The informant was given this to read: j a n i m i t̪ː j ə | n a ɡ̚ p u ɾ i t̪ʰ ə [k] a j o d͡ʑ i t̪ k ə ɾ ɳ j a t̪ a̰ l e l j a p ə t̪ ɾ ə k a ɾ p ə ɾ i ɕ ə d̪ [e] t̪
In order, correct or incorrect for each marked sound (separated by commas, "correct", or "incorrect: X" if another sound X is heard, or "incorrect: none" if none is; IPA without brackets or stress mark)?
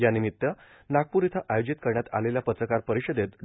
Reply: incorrect: ʔ, correct